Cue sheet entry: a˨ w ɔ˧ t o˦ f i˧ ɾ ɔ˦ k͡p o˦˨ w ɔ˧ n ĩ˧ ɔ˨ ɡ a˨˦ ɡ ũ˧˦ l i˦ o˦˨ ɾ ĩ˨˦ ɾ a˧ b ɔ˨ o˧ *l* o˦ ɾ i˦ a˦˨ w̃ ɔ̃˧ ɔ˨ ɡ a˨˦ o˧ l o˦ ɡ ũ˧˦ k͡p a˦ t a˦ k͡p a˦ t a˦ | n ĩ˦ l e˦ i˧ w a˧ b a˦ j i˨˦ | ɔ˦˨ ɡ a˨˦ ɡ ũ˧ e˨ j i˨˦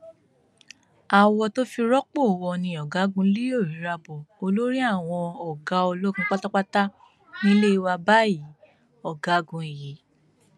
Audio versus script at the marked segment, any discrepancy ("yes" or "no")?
no